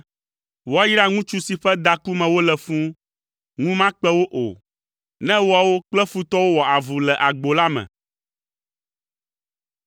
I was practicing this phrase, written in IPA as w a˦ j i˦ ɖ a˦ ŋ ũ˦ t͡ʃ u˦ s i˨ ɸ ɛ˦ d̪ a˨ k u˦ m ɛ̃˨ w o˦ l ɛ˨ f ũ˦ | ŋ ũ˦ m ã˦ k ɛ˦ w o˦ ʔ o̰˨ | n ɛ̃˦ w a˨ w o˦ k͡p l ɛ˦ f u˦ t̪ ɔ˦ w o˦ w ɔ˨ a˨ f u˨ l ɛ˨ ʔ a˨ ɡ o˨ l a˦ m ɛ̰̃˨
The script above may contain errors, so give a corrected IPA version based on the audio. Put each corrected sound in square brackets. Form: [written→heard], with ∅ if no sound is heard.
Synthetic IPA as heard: w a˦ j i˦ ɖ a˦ ŋ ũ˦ t͡ʃ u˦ s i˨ ɸ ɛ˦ d̪ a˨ k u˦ m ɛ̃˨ w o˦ l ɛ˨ f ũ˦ | ŋ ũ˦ m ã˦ [k→k͡p] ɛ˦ w o˦ ʔ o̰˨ | n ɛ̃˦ w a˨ w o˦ k͡p l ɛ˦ f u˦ t̪ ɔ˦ w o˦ w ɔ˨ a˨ [f→v] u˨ l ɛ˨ ʔ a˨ [ɡ→ɡ͡b] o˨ l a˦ m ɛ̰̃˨

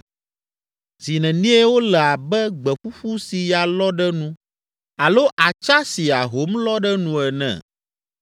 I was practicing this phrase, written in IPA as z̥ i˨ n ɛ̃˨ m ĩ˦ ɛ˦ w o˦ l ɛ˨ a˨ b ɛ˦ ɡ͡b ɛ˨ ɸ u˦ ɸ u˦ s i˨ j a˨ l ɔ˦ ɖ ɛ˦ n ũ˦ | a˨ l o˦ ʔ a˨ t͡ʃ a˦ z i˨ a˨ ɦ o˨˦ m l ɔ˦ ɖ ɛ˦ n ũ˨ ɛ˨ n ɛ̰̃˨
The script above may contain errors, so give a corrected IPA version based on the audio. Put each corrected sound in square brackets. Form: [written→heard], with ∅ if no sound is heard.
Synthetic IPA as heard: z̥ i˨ n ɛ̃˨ [m→n] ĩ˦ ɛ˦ w o˦ l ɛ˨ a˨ b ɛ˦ ɡ͡b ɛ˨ ɸ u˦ ɸ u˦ s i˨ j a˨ l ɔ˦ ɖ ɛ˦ n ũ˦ | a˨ l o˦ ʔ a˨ t͡ʃ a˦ [z→s] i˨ a˨ ɦ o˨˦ m l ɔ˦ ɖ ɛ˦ n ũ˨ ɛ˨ n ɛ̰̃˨

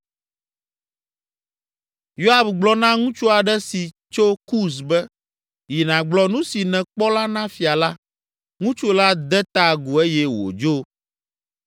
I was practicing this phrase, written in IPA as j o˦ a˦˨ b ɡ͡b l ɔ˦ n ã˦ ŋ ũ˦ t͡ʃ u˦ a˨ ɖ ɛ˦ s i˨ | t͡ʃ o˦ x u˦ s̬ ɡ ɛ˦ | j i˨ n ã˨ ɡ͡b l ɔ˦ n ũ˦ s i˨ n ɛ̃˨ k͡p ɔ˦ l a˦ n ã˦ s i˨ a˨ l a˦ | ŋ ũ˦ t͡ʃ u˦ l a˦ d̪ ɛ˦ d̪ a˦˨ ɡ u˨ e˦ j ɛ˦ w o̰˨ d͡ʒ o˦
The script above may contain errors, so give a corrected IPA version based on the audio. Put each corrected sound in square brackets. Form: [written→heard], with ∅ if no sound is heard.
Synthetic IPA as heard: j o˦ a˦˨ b ɡ͡b l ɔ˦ n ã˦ ŋ ũ˦ t͡ʃ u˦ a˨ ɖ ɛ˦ s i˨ | t͡ʃ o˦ [x→k] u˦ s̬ [ɡ→b] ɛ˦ | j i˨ n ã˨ ɡ͡b l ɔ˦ n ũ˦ s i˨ n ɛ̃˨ k͡p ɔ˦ l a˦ n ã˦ [s→f] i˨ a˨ l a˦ | ŋ ũ˦ t͡ʃ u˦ l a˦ d̪ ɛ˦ [d̪→t̪] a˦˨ ɡ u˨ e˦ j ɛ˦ w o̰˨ d͡ʒ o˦

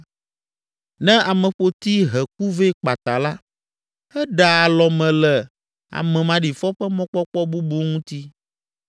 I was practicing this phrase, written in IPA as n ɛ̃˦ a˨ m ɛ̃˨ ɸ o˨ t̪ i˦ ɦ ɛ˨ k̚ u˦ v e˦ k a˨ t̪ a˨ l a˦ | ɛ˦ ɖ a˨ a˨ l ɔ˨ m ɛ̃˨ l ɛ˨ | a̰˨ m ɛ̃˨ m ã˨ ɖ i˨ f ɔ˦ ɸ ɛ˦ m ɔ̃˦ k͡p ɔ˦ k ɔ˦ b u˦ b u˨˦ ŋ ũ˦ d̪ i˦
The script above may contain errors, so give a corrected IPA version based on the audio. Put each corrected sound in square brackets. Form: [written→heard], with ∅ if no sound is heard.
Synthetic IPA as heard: n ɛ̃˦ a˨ m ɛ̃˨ ɸ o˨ t̪ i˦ ɦ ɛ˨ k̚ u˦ v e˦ [k→k͡p] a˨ t̪ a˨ l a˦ | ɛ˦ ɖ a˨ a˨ l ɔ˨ m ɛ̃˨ l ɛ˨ | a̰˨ m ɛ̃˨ m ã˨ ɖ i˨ f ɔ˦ ɸ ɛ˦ m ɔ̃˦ k͡p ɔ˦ [k→k͡p] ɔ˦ b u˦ b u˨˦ ŋ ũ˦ [d̪→t̪] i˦

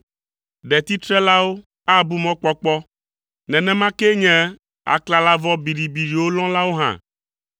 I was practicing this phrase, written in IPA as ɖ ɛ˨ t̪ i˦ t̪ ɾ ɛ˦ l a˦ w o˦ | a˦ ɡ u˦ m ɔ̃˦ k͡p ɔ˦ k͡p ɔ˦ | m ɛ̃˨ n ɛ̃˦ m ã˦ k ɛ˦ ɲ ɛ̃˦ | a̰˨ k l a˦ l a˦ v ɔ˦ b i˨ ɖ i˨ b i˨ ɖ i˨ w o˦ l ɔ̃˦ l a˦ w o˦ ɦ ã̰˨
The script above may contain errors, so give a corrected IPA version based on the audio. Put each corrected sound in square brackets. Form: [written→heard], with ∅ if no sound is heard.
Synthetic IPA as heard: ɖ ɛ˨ t̪ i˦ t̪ ɾ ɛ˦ l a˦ w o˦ | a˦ [ɡ→b] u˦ m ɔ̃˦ k͡p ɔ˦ k͡p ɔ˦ | [m→n] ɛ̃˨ n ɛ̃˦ m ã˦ k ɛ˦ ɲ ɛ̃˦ | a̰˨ k l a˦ l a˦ v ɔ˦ b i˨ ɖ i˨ b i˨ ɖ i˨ w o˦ l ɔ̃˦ l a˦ w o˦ ɦ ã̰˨

